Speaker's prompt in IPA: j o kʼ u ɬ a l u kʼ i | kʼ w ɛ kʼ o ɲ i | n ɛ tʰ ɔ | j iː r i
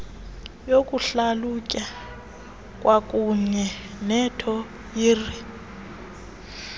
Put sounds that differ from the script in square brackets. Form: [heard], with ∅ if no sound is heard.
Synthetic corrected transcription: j o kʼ u ɬ a l u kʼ [a] | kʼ w [a] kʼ [u] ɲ [ɛ] | n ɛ tʰ ɔ | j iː r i